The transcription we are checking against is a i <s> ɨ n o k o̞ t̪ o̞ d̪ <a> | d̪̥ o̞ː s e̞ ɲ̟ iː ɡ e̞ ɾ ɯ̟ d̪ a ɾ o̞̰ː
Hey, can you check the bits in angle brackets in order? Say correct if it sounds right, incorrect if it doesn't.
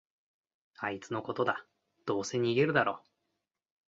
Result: incorrect: t͡s, correct

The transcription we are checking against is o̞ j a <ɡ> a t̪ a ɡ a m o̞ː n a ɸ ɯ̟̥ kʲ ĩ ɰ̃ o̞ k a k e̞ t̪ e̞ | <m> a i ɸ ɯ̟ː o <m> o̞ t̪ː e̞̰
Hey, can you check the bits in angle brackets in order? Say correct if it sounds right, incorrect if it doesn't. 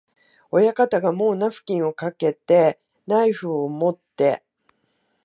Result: incorrect: k, incorrect: n, correct

